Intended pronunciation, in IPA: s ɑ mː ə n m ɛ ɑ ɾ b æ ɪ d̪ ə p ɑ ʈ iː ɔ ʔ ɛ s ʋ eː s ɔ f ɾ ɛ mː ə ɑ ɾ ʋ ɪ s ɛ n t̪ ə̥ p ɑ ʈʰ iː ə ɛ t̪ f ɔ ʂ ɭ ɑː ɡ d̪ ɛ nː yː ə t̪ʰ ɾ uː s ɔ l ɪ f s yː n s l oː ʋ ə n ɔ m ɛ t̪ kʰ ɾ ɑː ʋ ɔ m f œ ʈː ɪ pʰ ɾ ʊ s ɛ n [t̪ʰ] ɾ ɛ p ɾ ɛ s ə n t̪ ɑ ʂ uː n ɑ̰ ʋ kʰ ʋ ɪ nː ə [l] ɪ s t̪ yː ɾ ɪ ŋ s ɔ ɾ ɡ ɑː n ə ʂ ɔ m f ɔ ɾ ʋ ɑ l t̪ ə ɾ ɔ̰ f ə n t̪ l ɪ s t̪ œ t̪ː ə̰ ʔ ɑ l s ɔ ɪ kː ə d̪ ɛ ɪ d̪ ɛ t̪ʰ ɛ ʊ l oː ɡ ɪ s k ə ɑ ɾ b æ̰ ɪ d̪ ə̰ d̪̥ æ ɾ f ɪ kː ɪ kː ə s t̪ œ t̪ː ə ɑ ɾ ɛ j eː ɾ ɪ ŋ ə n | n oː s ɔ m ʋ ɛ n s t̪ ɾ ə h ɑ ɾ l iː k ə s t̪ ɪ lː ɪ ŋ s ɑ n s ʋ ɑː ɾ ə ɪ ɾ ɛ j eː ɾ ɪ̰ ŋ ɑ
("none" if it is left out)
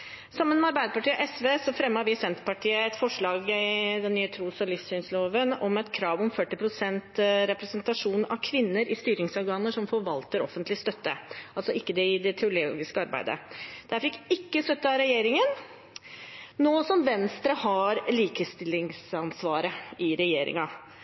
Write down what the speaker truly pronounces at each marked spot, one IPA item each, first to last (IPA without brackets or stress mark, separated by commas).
t̪, ɾ